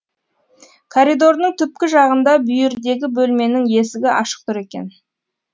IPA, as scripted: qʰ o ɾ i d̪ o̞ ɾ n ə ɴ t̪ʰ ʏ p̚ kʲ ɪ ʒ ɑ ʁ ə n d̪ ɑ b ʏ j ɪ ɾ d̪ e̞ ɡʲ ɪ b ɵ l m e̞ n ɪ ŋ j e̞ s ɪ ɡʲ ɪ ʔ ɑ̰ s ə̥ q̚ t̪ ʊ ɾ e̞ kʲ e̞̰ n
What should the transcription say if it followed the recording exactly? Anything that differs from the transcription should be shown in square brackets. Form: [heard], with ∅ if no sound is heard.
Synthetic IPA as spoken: [kʰ] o ɾ i d̪ o̞ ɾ n ə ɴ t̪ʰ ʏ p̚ kʲ ɪ ʒ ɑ ʁ ə n d̪ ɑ b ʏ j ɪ ɾ d̪ e̞ ɡʲ ɪ b ɵ l m e̞ n ɪ ŋ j e̞ s ɪ ɡʲ ɪ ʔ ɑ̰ [ʃ] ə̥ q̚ t̪ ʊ ɾ e̞ kʲ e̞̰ n

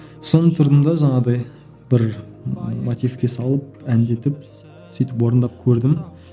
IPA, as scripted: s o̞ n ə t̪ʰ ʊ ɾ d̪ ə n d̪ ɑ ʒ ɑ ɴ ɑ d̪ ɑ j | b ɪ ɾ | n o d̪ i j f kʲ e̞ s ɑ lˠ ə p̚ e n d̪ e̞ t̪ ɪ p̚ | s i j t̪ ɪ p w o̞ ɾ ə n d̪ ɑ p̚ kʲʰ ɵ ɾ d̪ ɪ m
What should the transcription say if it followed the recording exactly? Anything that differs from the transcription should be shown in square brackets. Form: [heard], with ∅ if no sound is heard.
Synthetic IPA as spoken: s o̞ n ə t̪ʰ ʊ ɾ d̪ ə n d̪ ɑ ʒ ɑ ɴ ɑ d̪ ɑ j | b ɪ ɾ | [m] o [t̪] i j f kʲ e̞ s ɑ lˠ ə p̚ [æ] n d̪ e̞ t̪ ɪ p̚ | s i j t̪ ɪ p w o̞ ɾ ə n d̪ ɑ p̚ kʲʰ ɵ ɾ d̪ ɪ m

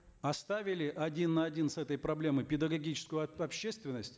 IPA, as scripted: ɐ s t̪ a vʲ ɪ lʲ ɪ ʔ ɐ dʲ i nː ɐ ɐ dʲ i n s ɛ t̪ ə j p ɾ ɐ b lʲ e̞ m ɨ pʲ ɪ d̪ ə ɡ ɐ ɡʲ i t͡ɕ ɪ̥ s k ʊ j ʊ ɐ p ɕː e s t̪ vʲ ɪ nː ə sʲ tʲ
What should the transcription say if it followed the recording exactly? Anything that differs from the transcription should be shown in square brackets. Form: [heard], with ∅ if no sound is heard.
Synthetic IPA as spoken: ɐ s t̪ a vʲ ɪ lʲ ɪ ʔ ɐ dʲ i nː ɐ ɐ dʲ i n s ɛ t̪ ə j p ɾ ɐ b lʲ e̞ m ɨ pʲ ɪ d̪ ə ɡ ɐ ɡʲ i t͡ɕ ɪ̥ s k ʊ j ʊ ɐ p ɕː e s t̪ vʲ ɪ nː ə sʲ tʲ

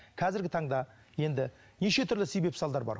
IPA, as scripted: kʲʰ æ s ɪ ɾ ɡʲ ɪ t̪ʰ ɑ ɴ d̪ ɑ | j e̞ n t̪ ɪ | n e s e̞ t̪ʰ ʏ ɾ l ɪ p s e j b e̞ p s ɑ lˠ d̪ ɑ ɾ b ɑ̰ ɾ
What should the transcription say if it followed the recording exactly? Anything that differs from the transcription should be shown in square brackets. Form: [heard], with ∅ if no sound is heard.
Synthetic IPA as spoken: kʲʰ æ [z] ɪ ɾ ɡʲ ɪ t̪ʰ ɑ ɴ d̪ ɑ | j e̞ n [d̪] ɪ | n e [ʃ] e̞ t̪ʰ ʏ ɾ l ɪ [∅] s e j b e̞ p s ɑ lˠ d̪ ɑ ɾ b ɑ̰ ɾ

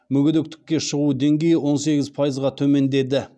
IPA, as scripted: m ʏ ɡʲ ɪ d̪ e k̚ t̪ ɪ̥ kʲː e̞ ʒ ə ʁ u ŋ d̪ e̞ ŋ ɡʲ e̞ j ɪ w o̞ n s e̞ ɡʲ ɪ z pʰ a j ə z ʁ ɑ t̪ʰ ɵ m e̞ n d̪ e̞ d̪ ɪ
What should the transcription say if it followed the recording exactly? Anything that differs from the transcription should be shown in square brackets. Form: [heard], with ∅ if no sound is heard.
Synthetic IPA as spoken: m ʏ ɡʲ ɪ d̪ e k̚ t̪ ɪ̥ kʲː e̞ [ʃ] ə ʁ u [∅] d̪ e̞ ŋ ɡʲ e̞ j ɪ w o̞ n s e̞ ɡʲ ɪ z pʰ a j ə z ʁ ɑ t̪ʰ ɵ m e̞ n d̪ e̞ d̪ ɪ

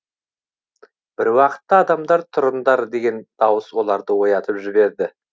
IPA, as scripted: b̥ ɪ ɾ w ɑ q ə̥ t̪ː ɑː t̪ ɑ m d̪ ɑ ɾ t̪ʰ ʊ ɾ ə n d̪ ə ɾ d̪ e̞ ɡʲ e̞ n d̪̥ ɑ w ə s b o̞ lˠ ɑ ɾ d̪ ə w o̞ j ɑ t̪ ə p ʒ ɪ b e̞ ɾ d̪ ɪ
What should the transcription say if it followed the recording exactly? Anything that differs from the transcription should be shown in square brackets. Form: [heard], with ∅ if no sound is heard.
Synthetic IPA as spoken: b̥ ɪ ɾ w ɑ q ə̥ t̪ː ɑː [d̪] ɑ m d̪ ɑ ɾ t̪ʰ ʊ ɾ ə n d̪ [ɑ] ɾ d̪ e̞ ɡʲ e̞ n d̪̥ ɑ w ə s [w] o̞ lˠ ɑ ɾ d̪ ə w o̞ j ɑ t̪ ə p ʒ ɪ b e̞ ɾ d̪ ɪ

